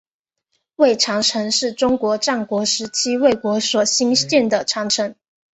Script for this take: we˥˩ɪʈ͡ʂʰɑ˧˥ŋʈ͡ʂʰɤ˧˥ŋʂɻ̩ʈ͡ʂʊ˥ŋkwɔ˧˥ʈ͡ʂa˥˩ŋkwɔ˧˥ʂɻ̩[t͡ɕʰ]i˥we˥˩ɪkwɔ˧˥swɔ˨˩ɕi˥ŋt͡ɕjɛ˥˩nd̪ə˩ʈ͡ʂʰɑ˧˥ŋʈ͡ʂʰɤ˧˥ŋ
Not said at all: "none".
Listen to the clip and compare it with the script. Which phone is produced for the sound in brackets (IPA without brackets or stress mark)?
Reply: t͡ɕʰ